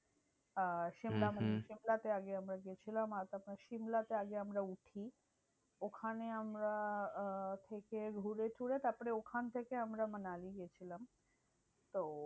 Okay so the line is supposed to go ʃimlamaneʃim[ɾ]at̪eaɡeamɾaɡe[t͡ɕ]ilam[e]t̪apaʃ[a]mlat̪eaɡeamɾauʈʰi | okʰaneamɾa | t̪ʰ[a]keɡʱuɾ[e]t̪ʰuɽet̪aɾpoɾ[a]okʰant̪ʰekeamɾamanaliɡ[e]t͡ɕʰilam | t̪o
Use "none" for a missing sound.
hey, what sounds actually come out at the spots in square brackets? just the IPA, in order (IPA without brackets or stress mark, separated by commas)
l, t͡ɕʰ, a, i, e, e, e, e